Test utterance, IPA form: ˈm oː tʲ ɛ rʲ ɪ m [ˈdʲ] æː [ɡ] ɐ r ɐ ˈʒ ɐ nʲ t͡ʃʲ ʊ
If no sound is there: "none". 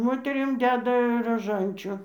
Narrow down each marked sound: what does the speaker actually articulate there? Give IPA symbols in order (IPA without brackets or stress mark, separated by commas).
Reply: dʲ, d